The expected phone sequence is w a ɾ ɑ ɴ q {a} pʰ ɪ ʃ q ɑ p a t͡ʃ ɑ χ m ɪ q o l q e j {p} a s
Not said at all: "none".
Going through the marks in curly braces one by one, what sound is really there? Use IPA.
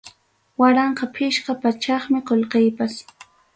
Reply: ɑ, p

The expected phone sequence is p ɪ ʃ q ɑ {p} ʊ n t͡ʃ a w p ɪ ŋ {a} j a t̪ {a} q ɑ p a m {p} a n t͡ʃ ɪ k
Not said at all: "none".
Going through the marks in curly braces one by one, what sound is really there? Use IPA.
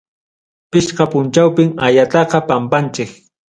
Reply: p, a, ɑ, p

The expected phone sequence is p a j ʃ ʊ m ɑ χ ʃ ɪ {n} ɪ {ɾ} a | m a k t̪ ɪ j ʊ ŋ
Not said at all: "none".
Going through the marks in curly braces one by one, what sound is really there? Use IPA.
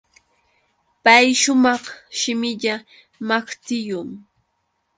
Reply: m, ʎ

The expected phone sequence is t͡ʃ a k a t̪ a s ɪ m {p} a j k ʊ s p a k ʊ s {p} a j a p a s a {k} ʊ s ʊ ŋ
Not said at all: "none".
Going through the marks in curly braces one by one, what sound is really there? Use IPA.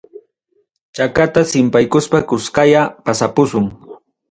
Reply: p, k, p

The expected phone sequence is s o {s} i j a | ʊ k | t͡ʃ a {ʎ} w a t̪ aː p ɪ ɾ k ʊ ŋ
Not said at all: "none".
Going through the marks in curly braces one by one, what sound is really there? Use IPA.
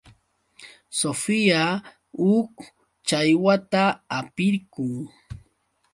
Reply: f, j

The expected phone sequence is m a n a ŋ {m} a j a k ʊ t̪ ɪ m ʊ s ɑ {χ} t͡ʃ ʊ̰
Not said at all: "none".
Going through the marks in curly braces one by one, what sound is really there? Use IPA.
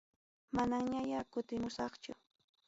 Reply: ɲ, χ

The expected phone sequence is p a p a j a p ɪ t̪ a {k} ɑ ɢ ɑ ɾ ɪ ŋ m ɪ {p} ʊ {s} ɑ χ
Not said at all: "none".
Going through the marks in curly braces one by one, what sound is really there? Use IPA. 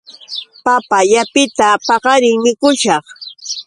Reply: p, k, ʃ

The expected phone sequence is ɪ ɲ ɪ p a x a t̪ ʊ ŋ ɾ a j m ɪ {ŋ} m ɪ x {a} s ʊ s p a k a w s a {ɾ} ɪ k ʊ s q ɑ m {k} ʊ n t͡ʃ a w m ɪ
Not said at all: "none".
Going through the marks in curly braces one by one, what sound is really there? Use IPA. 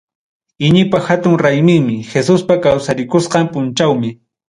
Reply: ŋ, e, ɾ, p

